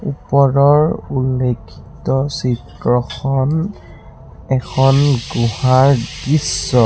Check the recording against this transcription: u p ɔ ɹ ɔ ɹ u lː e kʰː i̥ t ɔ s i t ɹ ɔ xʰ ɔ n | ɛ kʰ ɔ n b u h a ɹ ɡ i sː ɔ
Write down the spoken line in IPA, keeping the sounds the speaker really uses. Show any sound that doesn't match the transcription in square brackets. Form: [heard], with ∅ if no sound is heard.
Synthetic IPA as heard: u p ɔ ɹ ɔ ɹ u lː e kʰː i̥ t ɔ s i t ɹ ɔ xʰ ɔ n | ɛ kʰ ɔ n [ɡ] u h a ɹ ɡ i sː ɔ